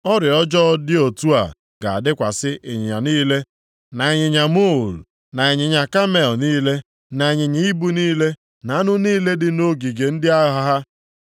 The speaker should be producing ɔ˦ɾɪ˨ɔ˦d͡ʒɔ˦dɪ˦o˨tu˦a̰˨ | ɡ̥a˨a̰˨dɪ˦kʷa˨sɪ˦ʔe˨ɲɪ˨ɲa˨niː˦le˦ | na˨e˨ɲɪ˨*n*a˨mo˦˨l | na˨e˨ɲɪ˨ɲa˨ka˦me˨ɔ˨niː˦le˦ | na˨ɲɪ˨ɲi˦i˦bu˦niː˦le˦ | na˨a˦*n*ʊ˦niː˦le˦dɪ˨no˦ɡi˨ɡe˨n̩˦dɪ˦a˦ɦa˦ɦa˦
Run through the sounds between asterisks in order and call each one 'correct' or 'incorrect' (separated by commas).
incorrect, correct